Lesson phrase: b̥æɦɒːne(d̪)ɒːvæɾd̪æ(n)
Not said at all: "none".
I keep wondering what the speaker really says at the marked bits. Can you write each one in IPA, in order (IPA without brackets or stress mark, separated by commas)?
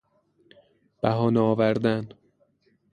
none, n